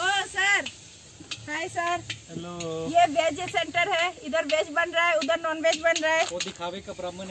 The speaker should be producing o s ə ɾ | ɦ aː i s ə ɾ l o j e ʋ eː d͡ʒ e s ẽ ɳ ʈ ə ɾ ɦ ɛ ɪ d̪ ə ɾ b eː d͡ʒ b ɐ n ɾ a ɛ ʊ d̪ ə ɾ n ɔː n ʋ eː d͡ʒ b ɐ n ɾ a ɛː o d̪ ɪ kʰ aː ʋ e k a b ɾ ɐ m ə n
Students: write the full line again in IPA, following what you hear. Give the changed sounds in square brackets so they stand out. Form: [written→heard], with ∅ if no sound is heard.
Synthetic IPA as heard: o s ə ɾ | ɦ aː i s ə ɾ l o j e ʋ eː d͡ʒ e s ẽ ɳ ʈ ə ɾ ɦ ɛ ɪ d̪ ə ɾ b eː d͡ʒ b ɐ n ɾ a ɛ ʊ d̪ ə ɾ n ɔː n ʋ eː d͡ʒ b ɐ n ɾ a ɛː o d̪ ɪ kʰ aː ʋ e k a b ɾ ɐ m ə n